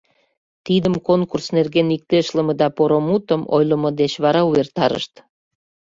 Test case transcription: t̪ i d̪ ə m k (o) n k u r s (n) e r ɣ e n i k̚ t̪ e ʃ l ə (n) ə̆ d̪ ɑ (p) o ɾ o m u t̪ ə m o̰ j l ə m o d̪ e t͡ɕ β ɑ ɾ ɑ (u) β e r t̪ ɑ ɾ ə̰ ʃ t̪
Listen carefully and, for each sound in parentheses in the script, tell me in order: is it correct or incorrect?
correct, correct, incorrect, correct, correct

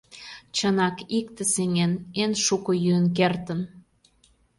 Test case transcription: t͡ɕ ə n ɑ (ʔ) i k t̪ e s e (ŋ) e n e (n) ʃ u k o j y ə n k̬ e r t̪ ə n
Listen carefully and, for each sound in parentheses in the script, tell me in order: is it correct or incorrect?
incorrect, correct, correct

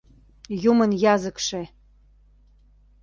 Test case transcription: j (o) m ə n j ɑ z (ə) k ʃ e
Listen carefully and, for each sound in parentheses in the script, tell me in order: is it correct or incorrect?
incorrect, correct

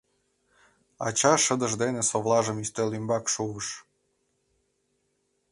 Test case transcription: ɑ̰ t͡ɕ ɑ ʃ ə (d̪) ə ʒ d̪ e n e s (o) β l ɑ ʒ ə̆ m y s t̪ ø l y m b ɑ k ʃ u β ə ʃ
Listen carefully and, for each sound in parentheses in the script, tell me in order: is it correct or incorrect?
correct, correct

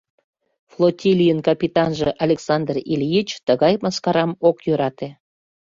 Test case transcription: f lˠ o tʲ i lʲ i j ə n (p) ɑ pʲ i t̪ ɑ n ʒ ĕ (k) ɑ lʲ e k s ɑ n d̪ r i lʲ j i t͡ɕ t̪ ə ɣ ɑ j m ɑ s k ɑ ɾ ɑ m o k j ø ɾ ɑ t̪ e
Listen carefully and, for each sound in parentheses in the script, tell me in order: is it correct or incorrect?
incorrect, incorrect

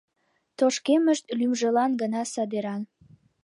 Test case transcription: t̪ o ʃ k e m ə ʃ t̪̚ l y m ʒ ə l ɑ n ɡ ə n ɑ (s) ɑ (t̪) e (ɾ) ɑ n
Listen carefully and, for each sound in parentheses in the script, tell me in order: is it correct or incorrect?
correct, incorrect, correct

